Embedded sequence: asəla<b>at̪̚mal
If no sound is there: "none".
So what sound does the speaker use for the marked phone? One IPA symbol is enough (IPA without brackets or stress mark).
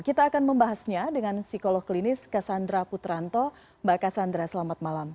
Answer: m